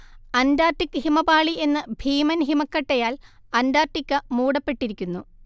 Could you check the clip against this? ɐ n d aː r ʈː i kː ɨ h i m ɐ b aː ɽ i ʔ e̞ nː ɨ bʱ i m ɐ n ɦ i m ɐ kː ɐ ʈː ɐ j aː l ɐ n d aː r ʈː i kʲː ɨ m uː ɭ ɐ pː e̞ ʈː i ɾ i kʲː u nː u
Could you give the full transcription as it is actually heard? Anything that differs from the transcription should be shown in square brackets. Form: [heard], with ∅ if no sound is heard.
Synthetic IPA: ɐ n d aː r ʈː i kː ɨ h i m ɐ b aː [ɭ] i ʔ e̞ nː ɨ bʱ [iː] m ɐ n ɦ i m ɐ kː ɐ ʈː ɐ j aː l ɐ n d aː r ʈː i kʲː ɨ m uː [ɽ] ɐ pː e̞ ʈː i ɾ i kʲː u nː u